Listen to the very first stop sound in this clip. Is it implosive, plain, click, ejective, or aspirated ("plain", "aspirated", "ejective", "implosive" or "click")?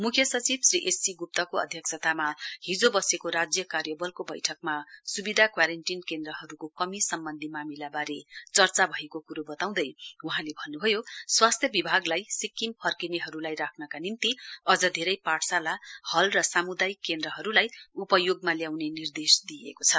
aspirated